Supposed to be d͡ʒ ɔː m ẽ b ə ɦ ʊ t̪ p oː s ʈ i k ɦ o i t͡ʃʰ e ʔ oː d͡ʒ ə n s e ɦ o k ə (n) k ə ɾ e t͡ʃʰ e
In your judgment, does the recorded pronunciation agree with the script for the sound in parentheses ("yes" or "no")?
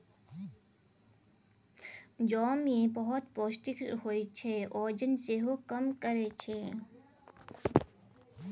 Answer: no